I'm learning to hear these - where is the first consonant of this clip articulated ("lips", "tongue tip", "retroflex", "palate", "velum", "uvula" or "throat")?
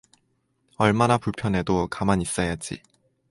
retroflex